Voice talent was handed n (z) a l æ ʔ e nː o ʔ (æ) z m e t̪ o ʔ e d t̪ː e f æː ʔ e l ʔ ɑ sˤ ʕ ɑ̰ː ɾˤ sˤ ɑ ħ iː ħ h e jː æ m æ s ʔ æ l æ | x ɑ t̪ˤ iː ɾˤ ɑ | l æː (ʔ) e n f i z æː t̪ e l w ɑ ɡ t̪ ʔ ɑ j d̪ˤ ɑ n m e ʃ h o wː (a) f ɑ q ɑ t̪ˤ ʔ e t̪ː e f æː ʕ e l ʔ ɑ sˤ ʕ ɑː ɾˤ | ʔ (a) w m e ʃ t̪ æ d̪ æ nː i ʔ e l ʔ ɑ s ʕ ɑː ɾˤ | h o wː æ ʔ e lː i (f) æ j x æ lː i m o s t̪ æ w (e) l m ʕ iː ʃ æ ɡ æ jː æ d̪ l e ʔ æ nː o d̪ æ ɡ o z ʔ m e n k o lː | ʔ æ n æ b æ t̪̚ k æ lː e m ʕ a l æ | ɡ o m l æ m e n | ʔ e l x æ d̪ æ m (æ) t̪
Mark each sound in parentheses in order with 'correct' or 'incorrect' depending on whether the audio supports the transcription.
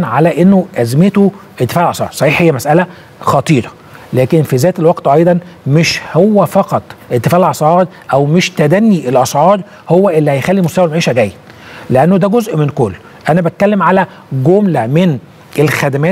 incorrect: ʕ, correct, incorrect: k, incorrect: æ, incorrect: æ, incorrect: h, incorrect: æ, incorrect: æː

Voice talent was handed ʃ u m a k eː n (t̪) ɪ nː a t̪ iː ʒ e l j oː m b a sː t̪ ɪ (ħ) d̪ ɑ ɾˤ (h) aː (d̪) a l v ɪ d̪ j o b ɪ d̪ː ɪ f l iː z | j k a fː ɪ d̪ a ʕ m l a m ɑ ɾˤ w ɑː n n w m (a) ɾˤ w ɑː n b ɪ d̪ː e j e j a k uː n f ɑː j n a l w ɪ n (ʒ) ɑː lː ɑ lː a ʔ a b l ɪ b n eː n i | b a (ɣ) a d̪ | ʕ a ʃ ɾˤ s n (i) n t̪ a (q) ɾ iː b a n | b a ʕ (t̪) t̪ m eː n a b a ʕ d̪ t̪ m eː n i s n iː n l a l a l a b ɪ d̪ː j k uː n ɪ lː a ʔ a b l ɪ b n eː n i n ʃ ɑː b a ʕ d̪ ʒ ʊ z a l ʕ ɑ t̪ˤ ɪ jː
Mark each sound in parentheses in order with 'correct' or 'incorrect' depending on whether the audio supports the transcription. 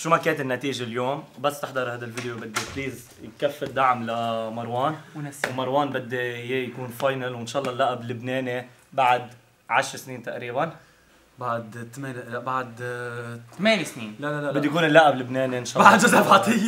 correct, correct, correct, correct, incorrect: ɑ, incorrect: ʃ, incorrect: ʕ, incorrect: iː, incorrect: ʔ, incorrect: d̪

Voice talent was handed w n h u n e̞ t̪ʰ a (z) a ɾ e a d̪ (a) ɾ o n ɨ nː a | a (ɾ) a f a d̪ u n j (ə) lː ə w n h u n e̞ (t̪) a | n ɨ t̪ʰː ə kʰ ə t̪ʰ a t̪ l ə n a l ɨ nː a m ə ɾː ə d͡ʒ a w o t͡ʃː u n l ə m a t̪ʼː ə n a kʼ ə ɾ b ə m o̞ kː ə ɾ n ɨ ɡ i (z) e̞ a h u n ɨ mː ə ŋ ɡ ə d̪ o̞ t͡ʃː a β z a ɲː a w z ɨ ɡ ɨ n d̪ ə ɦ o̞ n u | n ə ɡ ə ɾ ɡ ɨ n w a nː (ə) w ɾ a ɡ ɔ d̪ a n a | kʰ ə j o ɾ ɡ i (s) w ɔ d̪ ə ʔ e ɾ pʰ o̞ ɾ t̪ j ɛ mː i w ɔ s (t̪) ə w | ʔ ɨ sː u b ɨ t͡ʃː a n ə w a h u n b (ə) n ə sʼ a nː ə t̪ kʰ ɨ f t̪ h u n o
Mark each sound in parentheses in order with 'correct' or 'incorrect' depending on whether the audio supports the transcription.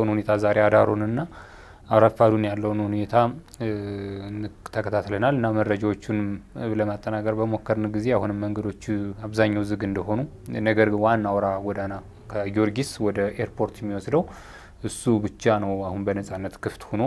correct, correct, correct, incorrect: a, incorrect: t̪ʰ, correct, incorrect: a, correct, incorrect: d̪, correct

